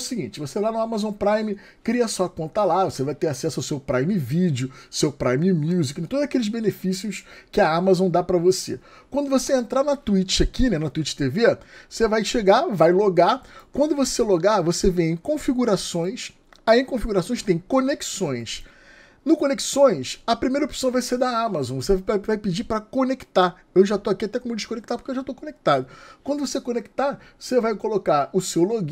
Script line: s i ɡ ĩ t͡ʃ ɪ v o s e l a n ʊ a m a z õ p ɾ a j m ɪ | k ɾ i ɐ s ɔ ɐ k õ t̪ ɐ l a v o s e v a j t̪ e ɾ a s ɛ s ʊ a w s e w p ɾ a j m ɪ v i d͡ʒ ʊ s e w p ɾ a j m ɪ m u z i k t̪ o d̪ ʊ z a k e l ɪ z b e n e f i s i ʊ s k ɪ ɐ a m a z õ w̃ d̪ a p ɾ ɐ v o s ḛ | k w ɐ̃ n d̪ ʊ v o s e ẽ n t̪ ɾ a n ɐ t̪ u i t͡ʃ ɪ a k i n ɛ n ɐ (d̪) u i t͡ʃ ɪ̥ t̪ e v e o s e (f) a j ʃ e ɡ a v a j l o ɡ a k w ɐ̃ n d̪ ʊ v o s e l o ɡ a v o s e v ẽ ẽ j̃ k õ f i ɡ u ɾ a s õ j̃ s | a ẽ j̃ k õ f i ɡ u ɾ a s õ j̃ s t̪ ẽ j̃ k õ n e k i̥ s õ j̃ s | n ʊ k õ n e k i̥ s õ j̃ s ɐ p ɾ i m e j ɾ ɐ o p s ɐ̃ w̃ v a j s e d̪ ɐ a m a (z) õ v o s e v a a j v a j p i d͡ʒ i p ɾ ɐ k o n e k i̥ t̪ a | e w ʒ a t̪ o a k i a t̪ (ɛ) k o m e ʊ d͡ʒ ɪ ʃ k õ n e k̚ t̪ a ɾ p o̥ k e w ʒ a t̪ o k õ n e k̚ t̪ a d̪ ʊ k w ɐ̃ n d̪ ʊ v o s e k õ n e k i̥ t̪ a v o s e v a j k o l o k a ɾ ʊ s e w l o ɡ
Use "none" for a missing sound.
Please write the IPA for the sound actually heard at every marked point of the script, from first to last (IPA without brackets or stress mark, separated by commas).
t̪, v, z, ɛ